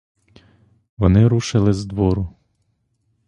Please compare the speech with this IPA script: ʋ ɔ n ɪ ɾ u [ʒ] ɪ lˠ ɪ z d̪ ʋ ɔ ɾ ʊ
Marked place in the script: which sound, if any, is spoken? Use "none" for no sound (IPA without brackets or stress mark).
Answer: ʃ